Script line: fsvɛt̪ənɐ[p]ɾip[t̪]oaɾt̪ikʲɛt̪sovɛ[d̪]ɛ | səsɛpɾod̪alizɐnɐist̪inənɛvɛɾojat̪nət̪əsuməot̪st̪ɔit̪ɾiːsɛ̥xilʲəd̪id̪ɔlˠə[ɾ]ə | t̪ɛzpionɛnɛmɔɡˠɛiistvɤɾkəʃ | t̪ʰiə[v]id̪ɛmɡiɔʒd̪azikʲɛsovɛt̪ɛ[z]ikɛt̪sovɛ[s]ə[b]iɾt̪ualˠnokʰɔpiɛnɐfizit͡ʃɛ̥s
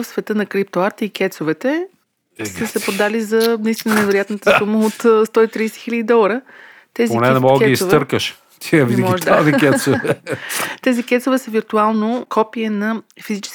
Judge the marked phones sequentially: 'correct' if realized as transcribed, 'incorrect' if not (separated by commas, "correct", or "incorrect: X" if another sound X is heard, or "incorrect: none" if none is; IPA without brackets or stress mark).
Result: incorrect: k, correct, incorrect: t̪, correct, correct, correct, correct, incorrect: v